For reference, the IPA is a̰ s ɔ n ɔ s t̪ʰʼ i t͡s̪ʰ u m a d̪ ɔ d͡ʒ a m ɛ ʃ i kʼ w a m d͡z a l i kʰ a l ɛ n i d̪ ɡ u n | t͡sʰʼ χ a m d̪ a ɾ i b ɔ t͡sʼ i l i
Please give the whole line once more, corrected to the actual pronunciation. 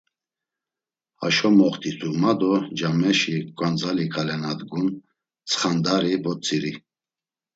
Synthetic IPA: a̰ ʃ ɔ m ɔ χ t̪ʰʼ i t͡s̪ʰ u m a d̪ ɔ d͡ʒ a m ɛ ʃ i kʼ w a n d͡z a l i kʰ a l ɛ n a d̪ ɡ u n | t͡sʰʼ χ a n d̪ a ɾ i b ɔ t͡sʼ i ɾ i